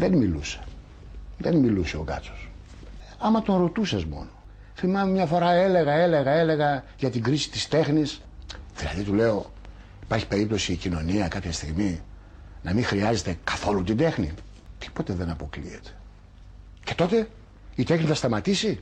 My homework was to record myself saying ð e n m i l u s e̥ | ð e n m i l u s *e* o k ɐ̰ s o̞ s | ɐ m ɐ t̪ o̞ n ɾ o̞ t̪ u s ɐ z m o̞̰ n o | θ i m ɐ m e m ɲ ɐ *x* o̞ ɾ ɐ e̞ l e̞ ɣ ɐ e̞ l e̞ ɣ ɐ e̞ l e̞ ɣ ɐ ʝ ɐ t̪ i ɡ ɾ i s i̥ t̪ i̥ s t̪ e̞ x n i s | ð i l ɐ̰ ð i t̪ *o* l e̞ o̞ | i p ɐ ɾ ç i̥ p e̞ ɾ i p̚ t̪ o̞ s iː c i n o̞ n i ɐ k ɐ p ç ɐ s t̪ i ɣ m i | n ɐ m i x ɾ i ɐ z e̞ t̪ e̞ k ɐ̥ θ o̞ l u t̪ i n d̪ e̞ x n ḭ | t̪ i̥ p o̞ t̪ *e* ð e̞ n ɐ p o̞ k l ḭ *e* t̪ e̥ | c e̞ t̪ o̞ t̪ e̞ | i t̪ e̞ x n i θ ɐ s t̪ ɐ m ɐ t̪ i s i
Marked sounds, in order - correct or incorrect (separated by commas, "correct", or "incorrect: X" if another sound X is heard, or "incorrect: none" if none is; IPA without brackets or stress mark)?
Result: correct, incorrect: f, incorrect: u, correct, correct